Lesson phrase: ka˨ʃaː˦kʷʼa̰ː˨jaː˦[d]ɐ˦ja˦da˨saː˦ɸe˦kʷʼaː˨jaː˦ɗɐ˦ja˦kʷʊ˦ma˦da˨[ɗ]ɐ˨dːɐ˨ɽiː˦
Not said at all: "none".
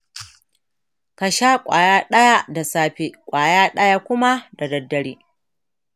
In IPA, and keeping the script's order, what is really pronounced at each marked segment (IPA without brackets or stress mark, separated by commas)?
ɗ, d